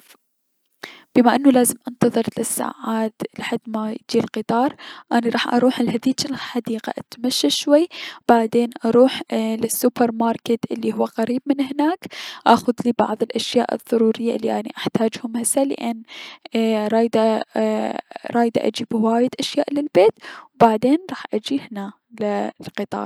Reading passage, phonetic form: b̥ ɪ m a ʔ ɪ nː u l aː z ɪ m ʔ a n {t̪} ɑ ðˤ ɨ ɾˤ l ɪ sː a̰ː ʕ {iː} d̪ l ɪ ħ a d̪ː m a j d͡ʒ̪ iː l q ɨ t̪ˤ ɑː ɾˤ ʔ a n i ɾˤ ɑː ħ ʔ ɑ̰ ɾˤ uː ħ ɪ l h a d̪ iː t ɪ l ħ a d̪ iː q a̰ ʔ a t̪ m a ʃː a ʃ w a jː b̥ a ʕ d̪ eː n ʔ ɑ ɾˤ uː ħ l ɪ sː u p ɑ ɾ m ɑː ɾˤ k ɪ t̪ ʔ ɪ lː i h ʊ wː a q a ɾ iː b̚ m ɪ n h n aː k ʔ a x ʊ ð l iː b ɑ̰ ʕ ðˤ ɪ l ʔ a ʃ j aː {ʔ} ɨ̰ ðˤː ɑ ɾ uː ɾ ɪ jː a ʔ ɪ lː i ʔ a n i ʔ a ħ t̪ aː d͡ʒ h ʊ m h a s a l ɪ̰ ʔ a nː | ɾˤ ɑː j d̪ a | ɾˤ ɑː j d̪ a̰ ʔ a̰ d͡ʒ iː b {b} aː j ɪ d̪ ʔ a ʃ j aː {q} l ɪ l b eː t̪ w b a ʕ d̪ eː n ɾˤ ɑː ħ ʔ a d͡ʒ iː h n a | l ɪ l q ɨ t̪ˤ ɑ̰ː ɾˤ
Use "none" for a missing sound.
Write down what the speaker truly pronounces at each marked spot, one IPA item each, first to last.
t̪, aː, ʔ, w, ʔ

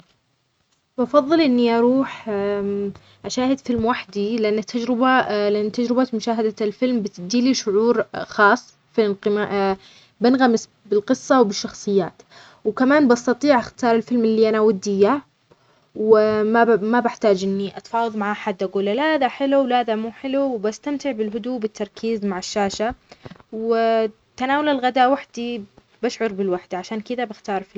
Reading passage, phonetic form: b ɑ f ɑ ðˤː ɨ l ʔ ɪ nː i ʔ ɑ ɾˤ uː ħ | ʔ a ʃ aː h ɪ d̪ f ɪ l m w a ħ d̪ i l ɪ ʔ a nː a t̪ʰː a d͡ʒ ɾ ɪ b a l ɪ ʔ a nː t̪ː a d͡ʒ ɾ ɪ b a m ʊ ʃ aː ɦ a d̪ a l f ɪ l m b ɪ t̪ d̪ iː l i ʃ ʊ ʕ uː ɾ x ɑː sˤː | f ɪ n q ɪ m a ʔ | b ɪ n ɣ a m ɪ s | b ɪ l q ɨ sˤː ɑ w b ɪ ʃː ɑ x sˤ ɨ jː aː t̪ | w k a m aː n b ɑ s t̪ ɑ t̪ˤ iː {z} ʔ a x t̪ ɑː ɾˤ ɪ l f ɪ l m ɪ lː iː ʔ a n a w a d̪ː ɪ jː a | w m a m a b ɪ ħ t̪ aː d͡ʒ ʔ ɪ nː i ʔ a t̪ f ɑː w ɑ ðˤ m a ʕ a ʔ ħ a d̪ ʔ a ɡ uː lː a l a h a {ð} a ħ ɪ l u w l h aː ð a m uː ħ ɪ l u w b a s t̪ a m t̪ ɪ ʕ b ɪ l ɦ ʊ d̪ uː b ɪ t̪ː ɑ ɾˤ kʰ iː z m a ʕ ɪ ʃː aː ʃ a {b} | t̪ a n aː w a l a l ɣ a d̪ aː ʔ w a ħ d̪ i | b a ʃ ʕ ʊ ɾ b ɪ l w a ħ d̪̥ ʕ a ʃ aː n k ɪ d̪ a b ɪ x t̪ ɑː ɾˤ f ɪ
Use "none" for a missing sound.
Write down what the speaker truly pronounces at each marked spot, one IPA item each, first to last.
ʕ, ð, w

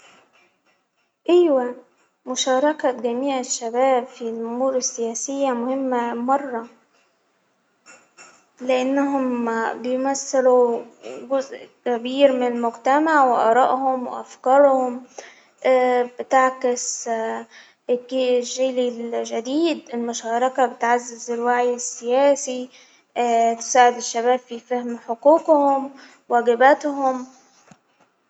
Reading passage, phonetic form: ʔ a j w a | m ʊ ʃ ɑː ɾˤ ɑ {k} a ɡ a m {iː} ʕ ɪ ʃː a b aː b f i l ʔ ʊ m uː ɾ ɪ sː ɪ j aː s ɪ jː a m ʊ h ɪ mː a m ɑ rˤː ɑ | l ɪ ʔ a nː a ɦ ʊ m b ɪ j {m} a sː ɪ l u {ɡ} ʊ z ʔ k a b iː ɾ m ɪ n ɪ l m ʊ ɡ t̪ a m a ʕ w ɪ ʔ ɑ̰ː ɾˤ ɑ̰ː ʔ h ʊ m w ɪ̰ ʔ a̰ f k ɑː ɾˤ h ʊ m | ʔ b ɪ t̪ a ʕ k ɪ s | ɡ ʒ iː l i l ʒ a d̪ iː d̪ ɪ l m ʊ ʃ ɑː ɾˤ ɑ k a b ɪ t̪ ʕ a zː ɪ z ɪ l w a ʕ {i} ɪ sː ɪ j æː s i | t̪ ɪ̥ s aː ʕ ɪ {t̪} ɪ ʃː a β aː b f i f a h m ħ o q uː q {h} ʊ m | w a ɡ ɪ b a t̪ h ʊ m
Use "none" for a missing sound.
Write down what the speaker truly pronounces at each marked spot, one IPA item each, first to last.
k, iː, m, ɡ, j, d̪, h

